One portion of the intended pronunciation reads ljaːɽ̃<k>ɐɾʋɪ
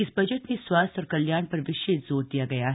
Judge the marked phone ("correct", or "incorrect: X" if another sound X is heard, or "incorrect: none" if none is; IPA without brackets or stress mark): incorrect: p